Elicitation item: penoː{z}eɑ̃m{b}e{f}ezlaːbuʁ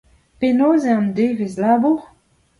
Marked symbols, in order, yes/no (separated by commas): yes, no, no